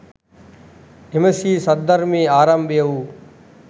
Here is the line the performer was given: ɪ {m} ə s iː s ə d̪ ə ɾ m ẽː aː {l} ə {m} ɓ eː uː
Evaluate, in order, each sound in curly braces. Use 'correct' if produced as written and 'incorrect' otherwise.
correct, incorrect, correct

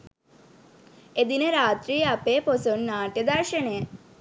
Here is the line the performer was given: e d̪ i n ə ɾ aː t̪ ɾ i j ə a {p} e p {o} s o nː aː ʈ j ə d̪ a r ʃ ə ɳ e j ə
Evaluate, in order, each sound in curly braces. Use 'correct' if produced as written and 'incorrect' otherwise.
correct, correct

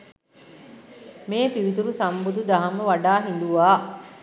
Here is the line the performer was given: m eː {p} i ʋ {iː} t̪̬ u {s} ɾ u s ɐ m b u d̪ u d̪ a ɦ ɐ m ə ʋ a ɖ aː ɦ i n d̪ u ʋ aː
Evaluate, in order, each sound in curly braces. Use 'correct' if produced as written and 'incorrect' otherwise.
correct, incorrect, incorrect

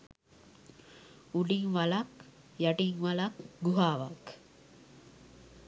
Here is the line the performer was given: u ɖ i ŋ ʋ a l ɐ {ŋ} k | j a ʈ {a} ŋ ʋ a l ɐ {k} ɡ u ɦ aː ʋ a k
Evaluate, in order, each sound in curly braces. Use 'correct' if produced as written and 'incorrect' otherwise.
incorrect, incorrect, correct

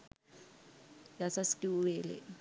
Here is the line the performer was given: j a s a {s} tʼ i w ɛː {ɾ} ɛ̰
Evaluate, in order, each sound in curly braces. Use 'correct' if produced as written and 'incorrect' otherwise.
correct, incorrect

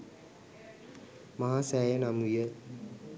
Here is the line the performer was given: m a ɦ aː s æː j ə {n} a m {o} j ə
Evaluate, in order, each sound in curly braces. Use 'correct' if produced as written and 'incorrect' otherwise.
correct, incorrect

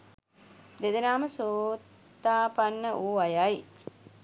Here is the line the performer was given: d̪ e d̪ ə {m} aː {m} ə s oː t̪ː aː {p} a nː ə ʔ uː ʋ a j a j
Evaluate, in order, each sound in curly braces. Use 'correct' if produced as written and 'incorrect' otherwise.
incorrect, correct, correct

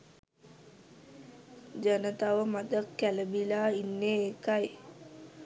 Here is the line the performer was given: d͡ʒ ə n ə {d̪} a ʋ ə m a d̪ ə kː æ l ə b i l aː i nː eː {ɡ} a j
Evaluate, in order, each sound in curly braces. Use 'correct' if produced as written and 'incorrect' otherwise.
incorrect, incorrect

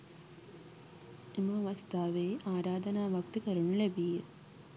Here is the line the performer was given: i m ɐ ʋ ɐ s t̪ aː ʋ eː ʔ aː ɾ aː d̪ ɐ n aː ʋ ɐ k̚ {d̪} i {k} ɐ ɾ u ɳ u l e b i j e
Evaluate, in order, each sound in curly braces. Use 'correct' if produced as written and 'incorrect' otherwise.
incorrect, correct

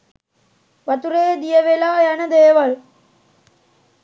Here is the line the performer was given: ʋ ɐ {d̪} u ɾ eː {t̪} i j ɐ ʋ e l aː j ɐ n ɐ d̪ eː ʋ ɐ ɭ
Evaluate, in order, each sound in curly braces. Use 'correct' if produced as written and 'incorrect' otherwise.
incorrect, incorrect

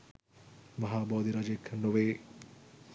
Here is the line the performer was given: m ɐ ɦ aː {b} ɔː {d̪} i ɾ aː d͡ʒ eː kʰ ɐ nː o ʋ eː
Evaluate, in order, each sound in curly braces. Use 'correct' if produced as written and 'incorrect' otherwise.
correct, correct

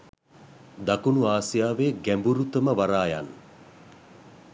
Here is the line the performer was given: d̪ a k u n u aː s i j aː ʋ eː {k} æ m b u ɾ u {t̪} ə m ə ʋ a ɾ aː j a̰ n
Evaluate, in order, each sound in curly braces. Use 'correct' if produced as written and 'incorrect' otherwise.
incorrect, correct

